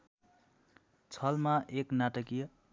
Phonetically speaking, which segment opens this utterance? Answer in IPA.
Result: t͡sʰ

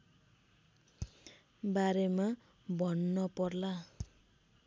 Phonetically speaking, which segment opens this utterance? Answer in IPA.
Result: b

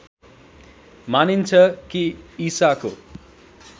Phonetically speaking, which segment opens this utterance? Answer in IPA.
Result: m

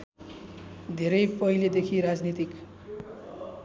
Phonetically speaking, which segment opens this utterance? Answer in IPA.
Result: d̪ʱ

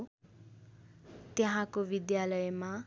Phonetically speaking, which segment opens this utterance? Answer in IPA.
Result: t̪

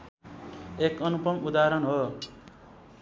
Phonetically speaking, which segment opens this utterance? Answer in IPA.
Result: e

